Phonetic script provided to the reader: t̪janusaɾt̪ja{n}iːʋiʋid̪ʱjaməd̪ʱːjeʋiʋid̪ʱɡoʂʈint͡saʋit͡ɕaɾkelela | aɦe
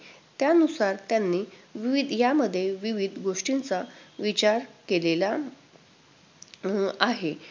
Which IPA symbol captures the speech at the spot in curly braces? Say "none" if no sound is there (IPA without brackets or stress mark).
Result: nː